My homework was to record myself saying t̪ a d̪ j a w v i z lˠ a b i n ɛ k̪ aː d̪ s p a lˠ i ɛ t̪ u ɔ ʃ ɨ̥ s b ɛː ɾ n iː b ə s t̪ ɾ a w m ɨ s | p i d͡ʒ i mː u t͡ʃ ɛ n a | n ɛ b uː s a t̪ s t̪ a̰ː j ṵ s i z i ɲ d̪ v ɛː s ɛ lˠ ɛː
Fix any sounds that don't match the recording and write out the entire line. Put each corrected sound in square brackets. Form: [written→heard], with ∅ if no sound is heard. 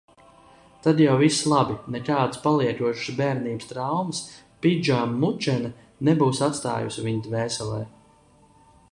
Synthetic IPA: t̪ a d̪ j a w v i [z→s] lˠ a b i n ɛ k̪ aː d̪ s p a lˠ i ɛ t̪ u ɔ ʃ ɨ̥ s b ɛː ɾ n iː b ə s t̪ ɾ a w m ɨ s | p i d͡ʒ [i→a] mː u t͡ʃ ɛ n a | n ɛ b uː s a t̪ s t̪ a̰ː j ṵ s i [z→v] i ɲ d̪ v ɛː s ɛ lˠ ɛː